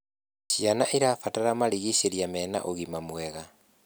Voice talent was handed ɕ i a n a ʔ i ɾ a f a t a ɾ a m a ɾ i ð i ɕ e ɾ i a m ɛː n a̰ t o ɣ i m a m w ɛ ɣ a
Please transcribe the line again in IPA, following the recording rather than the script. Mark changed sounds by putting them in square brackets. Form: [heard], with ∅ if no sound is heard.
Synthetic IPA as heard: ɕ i a n a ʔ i ɾ a f a t a ɾ a m a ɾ i [ɣ] i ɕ e ɾ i a m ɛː n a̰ [ʔ] o ɣ i m a m w ɛ ɣ a